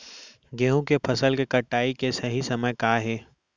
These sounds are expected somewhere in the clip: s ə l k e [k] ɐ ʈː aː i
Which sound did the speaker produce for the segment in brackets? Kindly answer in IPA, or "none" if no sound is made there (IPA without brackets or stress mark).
k